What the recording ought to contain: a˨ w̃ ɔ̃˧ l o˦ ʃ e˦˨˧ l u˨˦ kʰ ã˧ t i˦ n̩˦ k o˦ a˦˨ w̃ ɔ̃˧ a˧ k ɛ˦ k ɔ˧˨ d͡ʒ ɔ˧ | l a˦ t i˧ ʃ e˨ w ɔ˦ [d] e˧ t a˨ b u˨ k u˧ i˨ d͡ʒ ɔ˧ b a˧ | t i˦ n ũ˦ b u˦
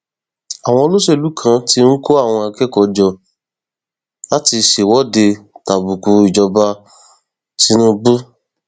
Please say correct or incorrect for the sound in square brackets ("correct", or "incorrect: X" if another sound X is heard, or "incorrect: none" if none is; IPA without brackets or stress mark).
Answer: correct